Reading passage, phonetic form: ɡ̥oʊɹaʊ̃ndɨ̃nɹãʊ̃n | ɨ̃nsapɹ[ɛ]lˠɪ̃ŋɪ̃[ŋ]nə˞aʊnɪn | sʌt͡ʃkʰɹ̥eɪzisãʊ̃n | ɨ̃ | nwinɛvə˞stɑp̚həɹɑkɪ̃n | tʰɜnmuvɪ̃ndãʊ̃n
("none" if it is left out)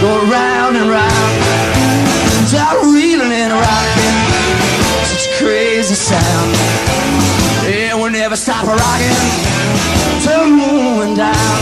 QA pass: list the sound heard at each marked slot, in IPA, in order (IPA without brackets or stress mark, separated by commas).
i, none